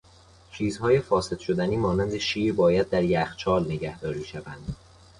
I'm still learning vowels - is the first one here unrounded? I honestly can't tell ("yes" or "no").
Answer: yes